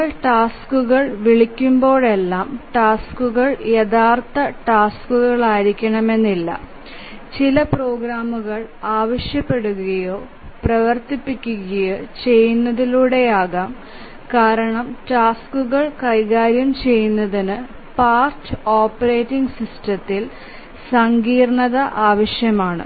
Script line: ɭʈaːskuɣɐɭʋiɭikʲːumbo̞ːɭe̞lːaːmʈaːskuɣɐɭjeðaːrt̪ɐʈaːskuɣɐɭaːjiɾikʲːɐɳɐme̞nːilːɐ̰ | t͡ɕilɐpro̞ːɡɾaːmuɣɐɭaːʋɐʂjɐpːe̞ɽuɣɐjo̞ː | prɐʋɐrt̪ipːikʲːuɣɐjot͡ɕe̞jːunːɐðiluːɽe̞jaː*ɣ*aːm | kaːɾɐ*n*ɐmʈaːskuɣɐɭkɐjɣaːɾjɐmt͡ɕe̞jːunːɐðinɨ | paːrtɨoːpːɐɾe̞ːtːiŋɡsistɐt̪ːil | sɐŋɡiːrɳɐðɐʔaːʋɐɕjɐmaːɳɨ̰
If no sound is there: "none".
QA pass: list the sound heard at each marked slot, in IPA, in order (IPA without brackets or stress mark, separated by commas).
ɣ, ɳ